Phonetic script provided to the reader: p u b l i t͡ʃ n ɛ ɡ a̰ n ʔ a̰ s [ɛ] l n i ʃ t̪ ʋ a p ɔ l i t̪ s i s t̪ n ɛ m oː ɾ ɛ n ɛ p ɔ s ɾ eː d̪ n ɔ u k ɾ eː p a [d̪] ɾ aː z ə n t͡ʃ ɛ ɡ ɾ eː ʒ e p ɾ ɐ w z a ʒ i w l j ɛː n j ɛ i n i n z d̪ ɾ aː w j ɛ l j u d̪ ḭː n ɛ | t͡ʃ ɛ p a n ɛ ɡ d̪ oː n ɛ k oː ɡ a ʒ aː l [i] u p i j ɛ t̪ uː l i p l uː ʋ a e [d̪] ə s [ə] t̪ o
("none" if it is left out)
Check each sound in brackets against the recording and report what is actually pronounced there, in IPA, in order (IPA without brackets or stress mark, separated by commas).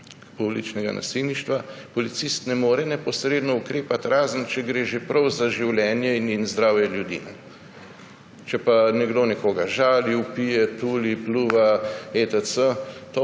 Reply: i, t̪, i, t̪, ə